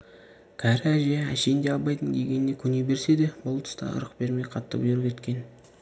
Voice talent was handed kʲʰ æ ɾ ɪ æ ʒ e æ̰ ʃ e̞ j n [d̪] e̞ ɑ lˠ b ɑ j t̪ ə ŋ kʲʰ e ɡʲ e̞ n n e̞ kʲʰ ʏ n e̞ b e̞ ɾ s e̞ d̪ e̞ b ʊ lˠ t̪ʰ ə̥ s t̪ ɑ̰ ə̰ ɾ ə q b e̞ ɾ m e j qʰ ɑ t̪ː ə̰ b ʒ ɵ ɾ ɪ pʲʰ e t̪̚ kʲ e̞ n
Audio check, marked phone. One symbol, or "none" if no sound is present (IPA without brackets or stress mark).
d̪